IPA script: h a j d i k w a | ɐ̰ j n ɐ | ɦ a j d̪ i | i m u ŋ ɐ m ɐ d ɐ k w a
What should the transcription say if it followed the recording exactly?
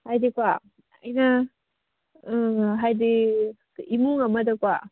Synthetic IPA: h a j d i k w a | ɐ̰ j n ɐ | ɦ a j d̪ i | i m u ŋ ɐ m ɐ d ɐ k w a